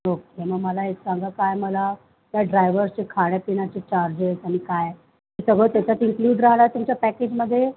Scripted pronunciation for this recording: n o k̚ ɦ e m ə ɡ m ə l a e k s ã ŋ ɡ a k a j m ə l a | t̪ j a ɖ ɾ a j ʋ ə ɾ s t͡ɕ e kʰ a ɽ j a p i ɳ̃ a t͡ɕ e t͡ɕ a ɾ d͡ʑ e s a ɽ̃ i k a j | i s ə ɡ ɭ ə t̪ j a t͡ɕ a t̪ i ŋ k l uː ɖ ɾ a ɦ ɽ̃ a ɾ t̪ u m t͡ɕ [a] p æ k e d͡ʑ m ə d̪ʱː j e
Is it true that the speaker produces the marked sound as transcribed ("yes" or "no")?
yes